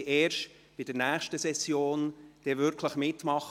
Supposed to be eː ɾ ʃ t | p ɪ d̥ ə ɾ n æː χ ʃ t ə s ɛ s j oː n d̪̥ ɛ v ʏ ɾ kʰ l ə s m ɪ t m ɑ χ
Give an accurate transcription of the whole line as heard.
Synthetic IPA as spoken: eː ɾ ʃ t | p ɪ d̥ ə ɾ n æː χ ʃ t ə s ɛ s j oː n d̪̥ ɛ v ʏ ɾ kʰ l ə χ m ɪ t m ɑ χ